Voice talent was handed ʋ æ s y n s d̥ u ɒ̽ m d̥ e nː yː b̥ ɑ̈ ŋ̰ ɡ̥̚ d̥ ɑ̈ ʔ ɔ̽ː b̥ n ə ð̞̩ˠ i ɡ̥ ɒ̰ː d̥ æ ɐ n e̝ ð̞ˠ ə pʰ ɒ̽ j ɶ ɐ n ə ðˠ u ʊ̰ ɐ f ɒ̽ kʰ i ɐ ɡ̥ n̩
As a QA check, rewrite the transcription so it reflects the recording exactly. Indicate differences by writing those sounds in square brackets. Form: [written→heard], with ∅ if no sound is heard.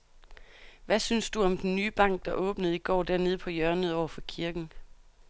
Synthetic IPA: ʋ æ s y n s d̥ u ɒ̽ m d̥ e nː yː b̥ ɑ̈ ŋ̰ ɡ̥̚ d̥ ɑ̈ ʔ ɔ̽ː b̥ n ə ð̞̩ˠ i ɡ̥ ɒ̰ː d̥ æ ɐ n e̝ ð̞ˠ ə pʰ ɒ̽ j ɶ ɐ n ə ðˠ [u→ɒ] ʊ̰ ɐ f ɒ̽ kʰ i ɐ ɡ̥ n̩